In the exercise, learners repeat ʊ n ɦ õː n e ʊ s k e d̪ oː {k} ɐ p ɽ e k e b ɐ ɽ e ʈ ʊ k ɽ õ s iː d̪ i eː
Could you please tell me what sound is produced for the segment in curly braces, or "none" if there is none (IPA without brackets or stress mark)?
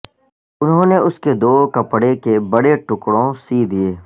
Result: k